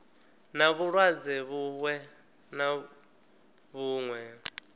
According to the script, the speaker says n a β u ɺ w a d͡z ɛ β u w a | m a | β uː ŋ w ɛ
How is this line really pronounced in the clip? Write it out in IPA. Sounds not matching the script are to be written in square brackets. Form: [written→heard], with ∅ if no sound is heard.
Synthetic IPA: n a β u ɺ w a d͡z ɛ β u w [a→ɛ] | [m→n] a | β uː ŋ w ɛ